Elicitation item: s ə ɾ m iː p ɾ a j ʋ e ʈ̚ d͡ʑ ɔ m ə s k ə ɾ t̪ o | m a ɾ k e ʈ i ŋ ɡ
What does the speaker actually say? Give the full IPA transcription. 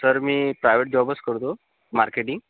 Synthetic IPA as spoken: s ə ɾ m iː p ɾ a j ʋ e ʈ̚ d͡ʑ ɔ b ə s k ə ɾ t̪ o | m a ɾ k e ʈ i ŋ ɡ